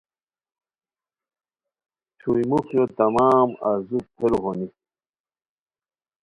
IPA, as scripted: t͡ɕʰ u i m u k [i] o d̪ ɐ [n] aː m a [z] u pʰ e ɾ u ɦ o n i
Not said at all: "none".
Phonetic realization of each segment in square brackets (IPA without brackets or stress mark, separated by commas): j, m, z